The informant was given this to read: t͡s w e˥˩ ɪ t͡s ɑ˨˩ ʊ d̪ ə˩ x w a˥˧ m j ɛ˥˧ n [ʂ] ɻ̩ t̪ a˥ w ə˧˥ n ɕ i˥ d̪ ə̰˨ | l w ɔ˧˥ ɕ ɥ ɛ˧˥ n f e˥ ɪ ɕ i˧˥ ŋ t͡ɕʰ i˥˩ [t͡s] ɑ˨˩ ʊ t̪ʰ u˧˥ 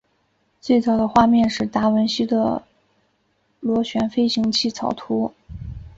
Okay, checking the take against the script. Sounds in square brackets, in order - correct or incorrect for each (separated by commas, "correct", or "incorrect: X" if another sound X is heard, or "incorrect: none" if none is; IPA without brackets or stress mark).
correct, incorrect: t͡sʰ